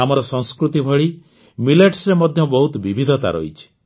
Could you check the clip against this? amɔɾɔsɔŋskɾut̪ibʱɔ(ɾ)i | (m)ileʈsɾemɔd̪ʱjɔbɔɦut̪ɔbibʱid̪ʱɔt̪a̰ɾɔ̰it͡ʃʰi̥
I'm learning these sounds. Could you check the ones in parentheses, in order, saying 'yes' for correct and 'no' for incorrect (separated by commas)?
no, yes